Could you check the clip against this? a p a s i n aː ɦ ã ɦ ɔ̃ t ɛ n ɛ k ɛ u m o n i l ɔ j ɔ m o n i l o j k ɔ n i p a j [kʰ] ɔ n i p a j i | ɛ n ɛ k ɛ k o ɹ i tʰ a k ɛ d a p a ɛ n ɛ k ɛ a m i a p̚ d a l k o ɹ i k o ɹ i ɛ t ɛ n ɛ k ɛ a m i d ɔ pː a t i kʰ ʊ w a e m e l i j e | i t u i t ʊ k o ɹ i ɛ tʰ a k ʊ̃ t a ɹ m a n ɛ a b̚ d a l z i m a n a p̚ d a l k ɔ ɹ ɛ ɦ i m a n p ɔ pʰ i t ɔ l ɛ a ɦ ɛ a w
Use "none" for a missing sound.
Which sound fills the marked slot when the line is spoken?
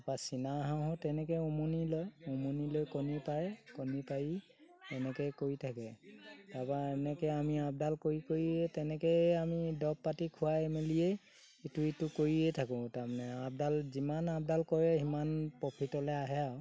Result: k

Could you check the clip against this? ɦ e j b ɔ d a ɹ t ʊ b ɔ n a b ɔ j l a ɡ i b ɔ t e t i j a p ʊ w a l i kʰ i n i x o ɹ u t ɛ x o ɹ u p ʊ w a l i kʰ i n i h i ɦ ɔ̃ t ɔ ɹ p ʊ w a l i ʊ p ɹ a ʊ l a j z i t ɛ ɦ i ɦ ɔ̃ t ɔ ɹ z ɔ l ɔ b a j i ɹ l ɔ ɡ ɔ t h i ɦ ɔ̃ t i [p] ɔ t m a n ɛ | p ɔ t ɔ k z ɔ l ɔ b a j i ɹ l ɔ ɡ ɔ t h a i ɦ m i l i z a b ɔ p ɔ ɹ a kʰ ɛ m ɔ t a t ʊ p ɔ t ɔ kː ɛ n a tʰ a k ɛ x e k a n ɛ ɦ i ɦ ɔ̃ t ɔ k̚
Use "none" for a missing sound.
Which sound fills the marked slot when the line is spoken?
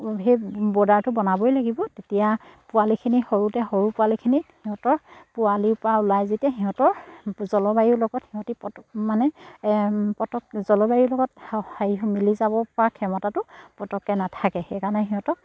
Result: p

